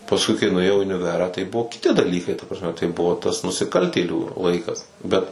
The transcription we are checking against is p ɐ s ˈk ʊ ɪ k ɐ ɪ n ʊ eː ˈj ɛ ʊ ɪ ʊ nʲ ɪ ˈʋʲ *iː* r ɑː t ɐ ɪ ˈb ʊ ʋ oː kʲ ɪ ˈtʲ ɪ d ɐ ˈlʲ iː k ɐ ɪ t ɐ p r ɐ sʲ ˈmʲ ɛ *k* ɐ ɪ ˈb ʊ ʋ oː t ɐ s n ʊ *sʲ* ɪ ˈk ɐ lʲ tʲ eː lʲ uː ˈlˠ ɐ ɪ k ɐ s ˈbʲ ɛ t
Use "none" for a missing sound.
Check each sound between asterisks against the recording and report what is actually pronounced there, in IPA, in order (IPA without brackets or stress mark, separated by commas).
æː, t, sʲ